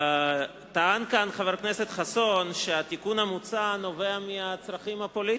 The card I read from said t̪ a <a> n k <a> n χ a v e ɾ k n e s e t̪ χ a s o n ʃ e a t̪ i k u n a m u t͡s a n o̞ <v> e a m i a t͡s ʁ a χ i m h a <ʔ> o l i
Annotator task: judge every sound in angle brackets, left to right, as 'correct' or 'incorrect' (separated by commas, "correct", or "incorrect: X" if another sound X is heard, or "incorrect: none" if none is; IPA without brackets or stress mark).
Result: correct, correct, correct, incorrect: p